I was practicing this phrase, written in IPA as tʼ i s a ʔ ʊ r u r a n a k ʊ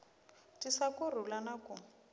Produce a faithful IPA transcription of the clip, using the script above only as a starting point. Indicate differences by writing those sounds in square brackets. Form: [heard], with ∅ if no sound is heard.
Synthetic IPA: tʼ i s a [k] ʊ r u [l] a n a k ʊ

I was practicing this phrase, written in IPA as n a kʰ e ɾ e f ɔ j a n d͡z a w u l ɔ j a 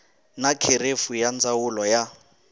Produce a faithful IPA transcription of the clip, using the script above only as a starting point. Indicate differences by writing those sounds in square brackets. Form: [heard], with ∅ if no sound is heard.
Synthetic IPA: n a kʰ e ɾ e f [u] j a n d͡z a w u l ɔ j a

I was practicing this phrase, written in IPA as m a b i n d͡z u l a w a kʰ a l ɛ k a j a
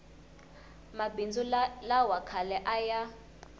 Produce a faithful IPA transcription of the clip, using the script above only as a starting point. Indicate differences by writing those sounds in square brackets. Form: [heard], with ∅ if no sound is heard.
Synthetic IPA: m a b i n d͡z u l a w a kʰ a l ɛ [ʔ] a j a

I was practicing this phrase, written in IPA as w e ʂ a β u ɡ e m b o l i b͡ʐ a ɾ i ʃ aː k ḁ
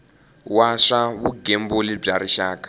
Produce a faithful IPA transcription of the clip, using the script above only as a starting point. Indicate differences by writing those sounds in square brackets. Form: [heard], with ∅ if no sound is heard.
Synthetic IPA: w [a] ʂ a β u ɡ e m b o l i b͡ʐ a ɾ i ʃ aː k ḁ

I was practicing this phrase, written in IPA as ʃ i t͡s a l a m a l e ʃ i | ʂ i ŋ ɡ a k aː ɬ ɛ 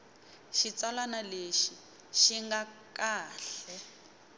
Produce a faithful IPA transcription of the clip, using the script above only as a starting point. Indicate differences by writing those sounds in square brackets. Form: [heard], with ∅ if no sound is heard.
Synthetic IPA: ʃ i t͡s a l a [n] a l e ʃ i | [ʃ] i ŋ ɡ a k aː ɬ ɛ

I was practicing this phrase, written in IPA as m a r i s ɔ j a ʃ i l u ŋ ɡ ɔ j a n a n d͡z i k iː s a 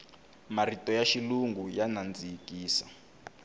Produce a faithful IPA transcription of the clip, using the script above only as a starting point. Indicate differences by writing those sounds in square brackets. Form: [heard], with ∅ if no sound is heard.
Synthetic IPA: m a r i [t] ɔ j a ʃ i l u ŋ ɡ [u] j a n a n d͡z i k iː s a

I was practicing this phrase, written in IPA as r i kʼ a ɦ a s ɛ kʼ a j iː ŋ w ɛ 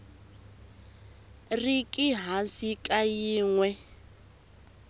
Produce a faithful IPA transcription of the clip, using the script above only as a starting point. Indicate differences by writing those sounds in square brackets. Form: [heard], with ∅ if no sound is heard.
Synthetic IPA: r i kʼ [i] ɦ a s [i] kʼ a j iː ŋ w ɛ

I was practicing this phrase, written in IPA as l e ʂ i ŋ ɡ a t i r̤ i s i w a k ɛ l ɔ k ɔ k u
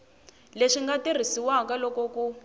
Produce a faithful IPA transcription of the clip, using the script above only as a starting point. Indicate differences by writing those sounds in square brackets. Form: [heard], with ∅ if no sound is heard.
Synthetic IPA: l e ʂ i ŋ ɡ a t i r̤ i s i w a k [a] l ɔ k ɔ k u

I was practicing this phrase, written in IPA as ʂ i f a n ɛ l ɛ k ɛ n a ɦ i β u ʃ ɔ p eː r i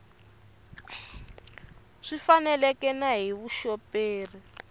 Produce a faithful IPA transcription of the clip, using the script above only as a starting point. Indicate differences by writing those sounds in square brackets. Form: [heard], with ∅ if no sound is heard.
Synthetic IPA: ʂ i f a n ɛ l ɛ k ɛ n a ɦ i β u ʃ ɔ p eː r i

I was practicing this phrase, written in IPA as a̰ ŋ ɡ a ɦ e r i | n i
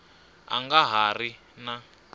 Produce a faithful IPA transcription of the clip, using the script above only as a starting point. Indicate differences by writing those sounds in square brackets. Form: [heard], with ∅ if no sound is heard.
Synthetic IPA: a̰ ŋ ɡ a ɦ [a] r i | n [a]

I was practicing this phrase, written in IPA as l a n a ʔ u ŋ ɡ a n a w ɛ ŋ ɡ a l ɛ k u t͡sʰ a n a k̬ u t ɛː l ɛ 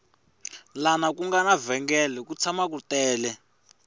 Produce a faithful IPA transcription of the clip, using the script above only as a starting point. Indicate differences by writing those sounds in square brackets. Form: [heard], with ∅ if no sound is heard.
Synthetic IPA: l a n a [k] u ŋ ɡ a n a [v] ɛ ŋ ɡ [ɛ] l ɛ k u t͡sʰ a [m] a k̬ u t ɛː l ɛ

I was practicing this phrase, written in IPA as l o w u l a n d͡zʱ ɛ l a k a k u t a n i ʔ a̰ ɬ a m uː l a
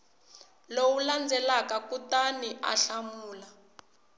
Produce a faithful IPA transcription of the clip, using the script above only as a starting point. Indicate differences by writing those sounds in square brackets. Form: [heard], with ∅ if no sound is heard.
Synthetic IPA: l o w u l a n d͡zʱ ɛ l a k a k u t a n i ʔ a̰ ɬ a m uː l a

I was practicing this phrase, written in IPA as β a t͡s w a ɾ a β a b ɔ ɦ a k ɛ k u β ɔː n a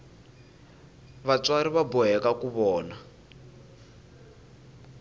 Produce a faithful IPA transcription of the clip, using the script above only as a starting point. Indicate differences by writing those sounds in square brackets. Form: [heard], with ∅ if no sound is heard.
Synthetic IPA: β a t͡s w a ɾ [i] β a b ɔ ɦ [ɛ] k [a] k u β ɔː n a

